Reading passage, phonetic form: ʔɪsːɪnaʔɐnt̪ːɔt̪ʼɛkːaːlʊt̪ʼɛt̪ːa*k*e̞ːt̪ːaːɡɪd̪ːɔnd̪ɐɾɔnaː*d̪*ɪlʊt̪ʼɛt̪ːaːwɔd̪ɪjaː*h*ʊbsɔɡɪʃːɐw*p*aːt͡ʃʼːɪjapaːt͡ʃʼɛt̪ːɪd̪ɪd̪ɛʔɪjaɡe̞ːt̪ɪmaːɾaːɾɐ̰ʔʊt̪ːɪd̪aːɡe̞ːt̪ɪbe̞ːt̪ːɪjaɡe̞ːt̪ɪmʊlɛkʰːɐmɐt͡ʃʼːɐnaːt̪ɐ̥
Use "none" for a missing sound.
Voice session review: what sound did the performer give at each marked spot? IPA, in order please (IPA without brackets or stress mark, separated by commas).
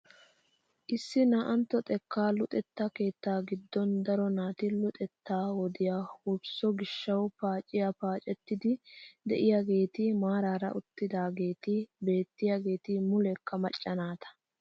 k, t̪, h, p